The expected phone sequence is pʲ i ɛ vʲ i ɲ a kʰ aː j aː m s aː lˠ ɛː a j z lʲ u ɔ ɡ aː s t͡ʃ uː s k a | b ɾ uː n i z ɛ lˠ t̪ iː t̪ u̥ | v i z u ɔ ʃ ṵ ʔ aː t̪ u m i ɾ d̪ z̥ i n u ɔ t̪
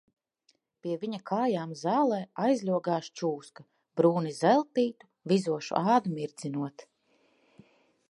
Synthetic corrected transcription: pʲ i ɛ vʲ i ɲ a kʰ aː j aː m z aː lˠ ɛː a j z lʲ u ɔ ɡ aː ʃ t͡ʃ uː s k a | b ɾ uː n i z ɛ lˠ t̪ iː t̪ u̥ | v i z u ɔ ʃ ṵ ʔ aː d̪ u m i ɾ d̪ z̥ i n u ɔ t̪